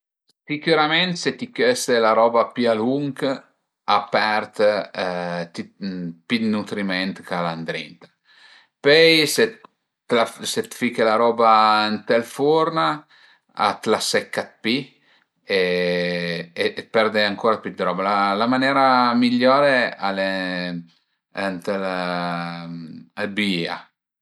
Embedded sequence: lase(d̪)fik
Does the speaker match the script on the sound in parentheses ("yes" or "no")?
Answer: no